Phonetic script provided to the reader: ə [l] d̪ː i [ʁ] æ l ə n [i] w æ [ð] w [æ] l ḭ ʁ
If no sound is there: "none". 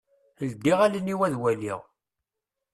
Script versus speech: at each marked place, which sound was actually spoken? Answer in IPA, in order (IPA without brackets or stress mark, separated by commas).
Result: l, ʁ, i, ð, æ